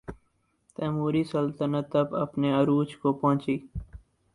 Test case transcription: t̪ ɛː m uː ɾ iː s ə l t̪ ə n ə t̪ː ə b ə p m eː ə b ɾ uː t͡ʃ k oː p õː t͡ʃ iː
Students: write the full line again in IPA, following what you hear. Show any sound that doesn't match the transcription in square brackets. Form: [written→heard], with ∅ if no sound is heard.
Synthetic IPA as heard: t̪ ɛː m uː ɾ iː s ə l t̪ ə n ə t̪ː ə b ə p [m→n] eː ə [b→∅] ɾ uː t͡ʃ k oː p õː t͡ʃ iː